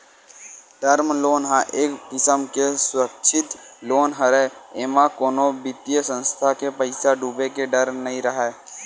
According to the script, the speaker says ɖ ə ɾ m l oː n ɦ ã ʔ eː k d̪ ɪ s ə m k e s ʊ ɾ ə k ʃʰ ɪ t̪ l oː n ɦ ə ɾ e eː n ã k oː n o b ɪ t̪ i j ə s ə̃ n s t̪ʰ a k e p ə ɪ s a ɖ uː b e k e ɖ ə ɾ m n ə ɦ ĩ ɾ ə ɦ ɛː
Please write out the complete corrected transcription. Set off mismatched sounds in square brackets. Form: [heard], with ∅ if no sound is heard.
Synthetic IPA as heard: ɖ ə ɾ m l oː n ɦ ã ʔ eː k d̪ ɪ s ə m k e s ʊ ɾ ə k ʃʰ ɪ t̪ l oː n ɦ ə ɾ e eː [m] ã k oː n o b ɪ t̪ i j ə s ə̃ n s t̪ʰ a k e p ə ɪ s a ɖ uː b e k e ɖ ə ɾ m n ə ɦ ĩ ɾ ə ɦ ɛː

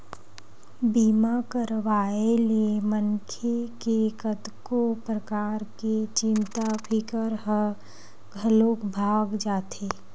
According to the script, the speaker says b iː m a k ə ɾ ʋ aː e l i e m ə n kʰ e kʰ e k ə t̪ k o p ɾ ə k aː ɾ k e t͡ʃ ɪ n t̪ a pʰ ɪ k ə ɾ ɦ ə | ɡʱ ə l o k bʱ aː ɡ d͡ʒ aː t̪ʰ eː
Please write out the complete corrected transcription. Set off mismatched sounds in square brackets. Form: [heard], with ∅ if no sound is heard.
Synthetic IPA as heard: b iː m a k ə ɾ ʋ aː e l i e m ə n kʰ e [k] e k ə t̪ k o p ɾ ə k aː ɾ k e t͡ʃ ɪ n t̪ a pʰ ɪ k ə ɾ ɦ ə | ɡʱ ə l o k bʱ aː ɡ d͡ʒ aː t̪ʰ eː

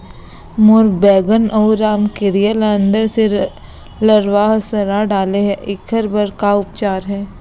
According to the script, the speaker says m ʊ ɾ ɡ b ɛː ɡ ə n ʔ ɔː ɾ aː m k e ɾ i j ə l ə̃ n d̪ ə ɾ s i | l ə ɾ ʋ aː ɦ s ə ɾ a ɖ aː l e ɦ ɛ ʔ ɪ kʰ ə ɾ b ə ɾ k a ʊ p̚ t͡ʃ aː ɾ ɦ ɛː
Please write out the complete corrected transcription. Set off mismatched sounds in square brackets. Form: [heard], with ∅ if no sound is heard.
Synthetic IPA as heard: m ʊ ɾ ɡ b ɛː ɡ ə n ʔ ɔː ɾ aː m k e ɾ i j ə l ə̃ n d̪ ə ɾ s [e] | l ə ɾ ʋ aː ɦ s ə ɾ a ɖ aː l e ɦ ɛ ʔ ɪ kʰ ə ɾ b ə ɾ k a ʊ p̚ t͡ʃ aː ɾ ɦ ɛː

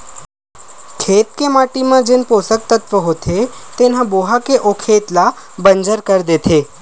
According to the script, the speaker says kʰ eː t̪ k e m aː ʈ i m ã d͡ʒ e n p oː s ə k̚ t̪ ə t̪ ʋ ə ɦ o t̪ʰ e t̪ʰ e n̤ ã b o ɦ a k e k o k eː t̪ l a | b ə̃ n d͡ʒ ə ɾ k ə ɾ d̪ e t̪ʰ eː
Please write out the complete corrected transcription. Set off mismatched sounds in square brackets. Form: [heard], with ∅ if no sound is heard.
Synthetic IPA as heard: kʰ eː t̪ k e m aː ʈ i m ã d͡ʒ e n p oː s ə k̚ t̪ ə t̪ ʋ ə ɦ o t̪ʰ e [t̪] e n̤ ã b o ɦ a k e [ʔ] o [kʰ] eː t̪ l a | b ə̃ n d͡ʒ ə ɾ k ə ɾ d̪ e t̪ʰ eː

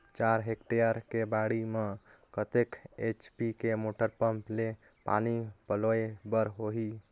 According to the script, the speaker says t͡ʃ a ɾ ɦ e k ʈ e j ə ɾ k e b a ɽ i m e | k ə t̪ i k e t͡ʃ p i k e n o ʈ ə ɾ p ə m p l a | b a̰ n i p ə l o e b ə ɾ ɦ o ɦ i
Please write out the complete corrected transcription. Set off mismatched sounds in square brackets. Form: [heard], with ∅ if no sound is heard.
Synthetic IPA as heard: t͡ʃ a ɾ ɦ e k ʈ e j ə ɾ k e b a ɽ i m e | k ə t̪ [e] k e t͡ʃ p i k e [m] o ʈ ə ɾ p ə m p l [e] | [p] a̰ n i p ə l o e b ə ɾ ɦ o ɦ i

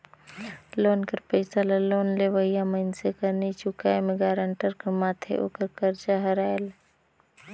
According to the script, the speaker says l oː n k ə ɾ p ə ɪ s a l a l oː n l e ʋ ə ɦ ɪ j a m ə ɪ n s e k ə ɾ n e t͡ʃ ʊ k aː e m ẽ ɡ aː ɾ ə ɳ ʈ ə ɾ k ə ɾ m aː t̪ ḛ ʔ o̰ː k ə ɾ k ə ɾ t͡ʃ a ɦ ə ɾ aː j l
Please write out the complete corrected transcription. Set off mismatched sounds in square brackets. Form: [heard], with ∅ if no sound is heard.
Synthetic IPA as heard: l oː n k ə ɾ p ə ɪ s a l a l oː n l e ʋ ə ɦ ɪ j a m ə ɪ n s e k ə ɾ n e t͡ʃ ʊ k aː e m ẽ ɡ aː ɾ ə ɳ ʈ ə ɾ k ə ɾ m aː [t̪ʰ] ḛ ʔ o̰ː k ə ɾ k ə ɾ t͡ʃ a ɦ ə ɾ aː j l

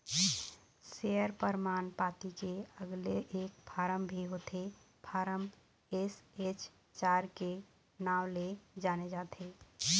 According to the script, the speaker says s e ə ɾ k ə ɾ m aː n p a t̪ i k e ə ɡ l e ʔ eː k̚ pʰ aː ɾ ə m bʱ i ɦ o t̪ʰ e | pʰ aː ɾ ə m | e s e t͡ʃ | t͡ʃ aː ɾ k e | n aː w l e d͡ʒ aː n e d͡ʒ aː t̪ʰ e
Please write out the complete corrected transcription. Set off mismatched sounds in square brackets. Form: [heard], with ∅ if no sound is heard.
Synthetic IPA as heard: s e ə ɾ [p] ə ɾ m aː n p a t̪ i k e ə ɡ l e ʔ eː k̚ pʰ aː ɾ ə m bʱ i ɦ o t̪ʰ e | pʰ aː ɾ ə m | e s e t͡ʃ | t͡ʃ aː ɾ k e | n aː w l e d͡ʒ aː n e d͡ʒ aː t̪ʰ e

